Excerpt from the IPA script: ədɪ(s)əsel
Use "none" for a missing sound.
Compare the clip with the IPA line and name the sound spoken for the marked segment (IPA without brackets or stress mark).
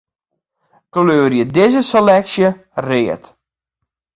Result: z